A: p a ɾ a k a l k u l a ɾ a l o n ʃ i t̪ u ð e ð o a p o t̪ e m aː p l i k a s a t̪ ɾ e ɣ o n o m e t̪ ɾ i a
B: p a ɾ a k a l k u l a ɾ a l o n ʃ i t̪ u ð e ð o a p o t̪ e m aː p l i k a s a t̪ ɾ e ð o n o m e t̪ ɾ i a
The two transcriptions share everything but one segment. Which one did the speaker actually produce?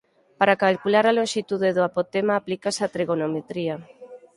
A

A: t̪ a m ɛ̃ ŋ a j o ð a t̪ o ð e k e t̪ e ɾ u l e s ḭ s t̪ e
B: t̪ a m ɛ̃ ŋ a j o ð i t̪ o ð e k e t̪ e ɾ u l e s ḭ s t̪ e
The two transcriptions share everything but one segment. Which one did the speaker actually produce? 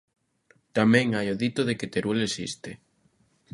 B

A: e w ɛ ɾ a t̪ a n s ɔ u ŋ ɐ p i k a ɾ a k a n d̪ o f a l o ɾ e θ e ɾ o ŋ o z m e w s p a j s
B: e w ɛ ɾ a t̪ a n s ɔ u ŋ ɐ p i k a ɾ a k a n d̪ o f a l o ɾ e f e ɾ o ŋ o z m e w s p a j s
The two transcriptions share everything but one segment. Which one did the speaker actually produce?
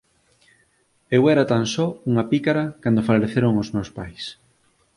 A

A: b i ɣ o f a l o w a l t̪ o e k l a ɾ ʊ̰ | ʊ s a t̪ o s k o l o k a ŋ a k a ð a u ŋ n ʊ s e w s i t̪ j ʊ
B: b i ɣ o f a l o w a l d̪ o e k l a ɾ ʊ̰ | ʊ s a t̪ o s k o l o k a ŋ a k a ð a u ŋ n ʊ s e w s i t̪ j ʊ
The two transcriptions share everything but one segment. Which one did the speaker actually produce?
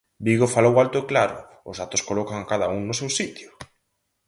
A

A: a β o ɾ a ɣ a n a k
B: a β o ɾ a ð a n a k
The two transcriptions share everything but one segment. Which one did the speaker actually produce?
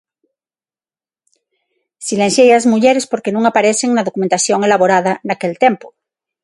B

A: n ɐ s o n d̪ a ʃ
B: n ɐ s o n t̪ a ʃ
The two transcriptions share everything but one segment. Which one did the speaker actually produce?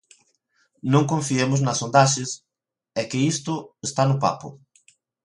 A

